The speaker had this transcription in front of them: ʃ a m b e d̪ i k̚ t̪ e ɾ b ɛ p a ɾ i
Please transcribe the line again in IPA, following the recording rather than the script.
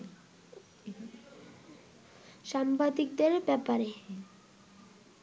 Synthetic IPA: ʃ a m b a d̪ i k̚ d̪ e ɾ b ɛ p a ɾ e

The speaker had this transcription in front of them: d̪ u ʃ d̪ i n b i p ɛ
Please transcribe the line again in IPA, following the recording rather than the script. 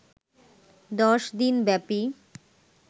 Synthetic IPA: d̪ ɔ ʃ d̪ i n b ɛ p i

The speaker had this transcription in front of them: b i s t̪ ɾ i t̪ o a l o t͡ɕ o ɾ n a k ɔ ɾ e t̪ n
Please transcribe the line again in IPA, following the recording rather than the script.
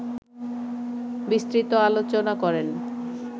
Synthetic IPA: b i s t̪ ɾ i t̪ o a l o t͡ɕ o n a k ɔ ɾ e n

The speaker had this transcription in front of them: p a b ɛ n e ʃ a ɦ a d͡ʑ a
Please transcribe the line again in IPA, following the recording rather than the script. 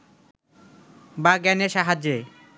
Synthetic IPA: b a ɡ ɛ n e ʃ a ɦ a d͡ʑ e

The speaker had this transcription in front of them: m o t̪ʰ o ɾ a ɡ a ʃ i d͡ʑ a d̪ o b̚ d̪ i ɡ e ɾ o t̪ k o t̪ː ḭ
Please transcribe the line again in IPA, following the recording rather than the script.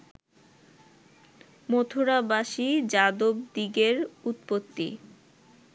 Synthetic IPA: m o t̪ʰ o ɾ a b a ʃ i d͡ʑ a d̪ o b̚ d̪ i ɡ e ɾ u t̪ p o t̪ː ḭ

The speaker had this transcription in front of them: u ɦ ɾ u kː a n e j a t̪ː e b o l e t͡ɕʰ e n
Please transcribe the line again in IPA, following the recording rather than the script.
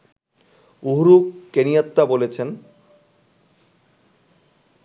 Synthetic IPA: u ɦ ɾ u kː e n i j a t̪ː a b o l e t͡ɕʰ e n

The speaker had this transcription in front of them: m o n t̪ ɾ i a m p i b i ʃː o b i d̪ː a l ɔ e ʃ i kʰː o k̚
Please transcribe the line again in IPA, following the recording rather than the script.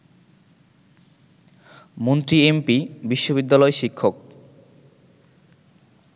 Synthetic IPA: m o n t̪ ɾ i e m p i b i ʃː o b i d̪ː a l ɔ e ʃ i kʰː o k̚

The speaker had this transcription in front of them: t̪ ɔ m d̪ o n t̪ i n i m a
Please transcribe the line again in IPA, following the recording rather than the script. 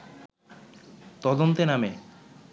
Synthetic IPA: t̪ ɔ d̪ o n t̪ e n a m e

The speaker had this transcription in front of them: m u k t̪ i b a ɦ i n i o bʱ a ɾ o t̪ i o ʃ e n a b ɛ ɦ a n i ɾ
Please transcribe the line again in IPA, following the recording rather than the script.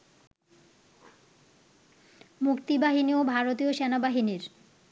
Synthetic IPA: m u k t̪ i b a ɦ i n i o bʱ a ɾ o t̪ i o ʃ e n a b a ɦ i n i ɾ

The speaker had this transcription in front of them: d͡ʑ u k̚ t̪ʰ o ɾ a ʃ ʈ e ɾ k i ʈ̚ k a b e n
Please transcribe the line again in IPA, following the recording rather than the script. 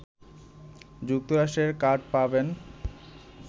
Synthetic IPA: d͡ʑ u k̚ t̪ o ɾ a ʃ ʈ e ɾ k a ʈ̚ p a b e n

